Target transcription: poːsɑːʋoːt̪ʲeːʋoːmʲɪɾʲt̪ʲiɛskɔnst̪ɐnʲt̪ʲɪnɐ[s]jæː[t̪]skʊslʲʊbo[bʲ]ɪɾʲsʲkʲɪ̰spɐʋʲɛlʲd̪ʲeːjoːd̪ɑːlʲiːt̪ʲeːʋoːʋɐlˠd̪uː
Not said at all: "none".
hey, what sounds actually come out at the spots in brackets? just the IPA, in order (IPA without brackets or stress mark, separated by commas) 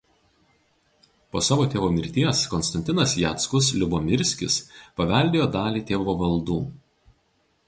s, t̪, mʲ